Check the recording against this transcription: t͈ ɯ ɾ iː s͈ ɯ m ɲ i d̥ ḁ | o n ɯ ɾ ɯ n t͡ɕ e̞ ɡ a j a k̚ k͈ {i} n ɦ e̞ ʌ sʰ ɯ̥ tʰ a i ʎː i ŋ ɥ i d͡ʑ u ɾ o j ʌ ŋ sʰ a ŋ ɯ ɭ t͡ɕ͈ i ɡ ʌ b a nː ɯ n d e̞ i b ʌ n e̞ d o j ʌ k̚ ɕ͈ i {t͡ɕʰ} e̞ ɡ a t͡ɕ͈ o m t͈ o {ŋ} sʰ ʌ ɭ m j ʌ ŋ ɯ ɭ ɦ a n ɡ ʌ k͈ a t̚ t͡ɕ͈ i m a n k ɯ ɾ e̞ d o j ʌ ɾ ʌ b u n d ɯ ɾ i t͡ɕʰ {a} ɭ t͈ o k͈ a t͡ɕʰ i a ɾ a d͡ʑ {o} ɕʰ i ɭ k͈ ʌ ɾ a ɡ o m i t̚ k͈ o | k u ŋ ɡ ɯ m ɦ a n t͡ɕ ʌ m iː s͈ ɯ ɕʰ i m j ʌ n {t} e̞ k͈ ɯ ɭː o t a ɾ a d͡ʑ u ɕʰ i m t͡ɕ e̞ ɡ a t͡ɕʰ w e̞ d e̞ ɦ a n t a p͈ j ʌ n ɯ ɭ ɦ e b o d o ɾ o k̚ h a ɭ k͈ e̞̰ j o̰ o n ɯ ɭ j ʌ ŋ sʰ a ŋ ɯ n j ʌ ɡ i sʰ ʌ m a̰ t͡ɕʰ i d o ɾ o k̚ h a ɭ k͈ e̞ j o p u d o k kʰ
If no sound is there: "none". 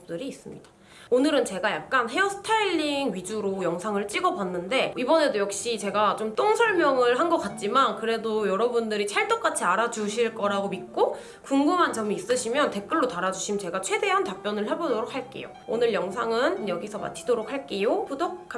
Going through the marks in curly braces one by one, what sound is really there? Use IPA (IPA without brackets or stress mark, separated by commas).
a, t͡ɕ, ŋ, a, u, t